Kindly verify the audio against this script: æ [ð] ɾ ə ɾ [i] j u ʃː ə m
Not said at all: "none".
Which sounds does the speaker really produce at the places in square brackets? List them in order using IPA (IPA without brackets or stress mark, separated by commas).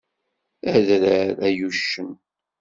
ð, æ